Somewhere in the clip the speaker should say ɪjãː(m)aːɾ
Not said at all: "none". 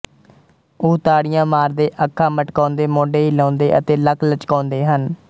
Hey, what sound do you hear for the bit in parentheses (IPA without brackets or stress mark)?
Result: m